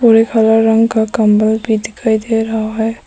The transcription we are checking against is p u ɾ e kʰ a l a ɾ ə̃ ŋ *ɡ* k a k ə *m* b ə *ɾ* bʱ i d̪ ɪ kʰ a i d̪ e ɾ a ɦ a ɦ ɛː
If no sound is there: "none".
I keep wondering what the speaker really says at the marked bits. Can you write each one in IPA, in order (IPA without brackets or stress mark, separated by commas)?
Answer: ɡ, m, l